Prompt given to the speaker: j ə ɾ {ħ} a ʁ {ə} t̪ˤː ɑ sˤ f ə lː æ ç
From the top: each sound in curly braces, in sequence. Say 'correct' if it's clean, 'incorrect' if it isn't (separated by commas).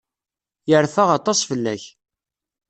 incorrect, incorrect